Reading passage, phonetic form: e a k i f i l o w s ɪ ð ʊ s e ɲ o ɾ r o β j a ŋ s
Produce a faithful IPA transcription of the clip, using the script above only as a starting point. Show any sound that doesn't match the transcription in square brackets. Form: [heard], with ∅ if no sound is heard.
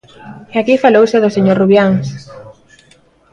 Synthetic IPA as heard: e a k i f [a] l o w s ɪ ð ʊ s e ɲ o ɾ r [u] β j a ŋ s